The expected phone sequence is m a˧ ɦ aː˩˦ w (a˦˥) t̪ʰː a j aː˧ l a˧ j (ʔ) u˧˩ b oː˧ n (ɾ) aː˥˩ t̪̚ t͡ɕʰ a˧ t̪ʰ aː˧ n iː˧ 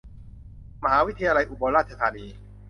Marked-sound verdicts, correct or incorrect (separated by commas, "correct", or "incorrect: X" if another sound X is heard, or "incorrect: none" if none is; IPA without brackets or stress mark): incorrect: i˦˥, correct, correct